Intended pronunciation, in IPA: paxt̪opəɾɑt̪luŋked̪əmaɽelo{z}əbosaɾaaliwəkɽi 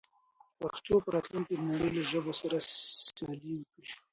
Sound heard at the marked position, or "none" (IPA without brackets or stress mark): ʒ